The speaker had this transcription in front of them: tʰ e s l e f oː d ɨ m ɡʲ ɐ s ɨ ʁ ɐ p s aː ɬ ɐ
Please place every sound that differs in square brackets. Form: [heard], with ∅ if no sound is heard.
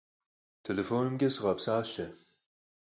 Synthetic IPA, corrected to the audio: tʰ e [∅] l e f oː [n] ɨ m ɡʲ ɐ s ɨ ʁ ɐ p s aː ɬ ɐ